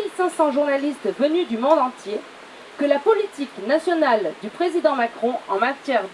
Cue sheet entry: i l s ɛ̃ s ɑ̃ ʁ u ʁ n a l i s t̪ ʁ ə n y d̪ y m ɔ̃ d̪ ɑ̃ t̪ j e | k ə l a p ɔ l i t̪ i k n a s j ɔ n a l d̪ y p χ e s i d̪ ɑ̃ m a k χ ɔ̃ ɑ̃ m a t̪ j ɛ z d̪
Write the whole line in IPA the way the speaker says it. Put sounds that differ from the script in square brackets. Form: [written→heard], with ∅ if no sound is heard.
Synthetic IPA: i l s ɛ̃ s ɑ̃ [ʁ→ʒ] u ʁ n a l i s t̪ [ʁ→v] ə n y d̪ y m ɔ̃ d̪ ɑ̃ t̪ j e | k ə l a p ɔ l i t̪ i k n a s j ɔ n a l d̪ y p χ e [s→z] i d̪ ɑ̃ m a k χ ɔ̃ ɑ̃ m a t̪ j ɛ [z→ʁ] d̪